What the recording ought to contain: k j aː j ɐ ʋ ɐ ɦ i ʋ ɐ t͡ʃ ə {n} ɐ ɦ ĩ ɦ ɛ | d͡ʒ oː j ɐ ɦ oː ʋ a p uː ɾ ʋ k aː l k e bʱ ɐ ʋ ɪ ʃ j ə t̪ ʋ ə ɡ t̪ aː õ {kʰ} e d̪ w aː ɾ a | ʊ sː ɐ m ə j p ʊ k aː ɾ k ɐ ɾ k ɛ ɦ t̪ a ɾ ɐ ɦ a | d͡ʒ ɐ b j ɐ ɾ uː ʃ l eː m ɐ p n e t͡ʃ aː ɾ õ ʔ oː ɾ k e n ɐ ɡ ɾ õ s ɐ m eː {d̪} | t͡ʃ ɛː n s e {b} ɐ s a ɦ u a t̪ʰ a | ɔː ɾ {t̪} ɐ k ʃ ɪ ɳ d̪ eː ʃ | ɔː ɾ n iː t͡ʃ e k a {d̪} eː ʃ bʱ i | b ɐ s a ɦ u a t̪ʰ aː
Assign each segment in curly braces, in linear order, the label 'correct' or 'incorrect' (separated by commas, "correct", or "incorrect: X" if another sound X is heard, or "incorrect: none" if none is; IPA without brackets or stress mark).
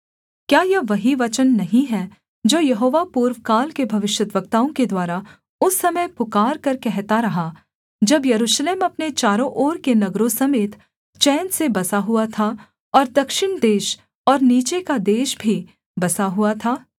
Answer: incorrect: nː, incorrect: k, incorrect: t̪, correct, incorrect: d̪, correct